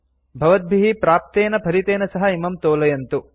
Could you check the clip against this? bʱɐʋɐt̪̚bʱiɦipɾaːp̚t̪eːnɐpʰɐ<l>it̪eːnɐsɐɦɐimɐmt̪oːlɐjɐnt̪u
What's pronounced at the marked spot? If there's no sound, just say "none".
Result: ɾ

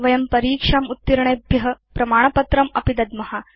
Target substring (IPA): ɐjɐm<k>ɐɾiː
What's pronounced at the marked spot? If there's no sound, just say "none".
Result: p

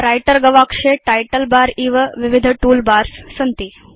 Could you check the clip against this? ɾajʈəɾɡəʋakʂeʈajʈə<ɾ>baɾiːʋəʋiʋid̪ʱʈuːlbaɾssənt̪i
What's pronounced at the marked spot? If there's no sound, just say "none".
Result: l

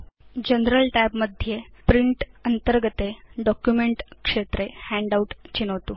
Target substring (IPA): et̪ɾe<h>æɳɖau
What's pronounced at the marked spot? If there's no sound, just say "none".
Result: h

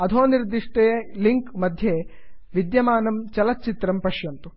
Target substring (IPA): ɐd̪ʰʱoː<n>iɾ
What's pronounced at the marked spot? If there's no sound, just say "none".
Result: n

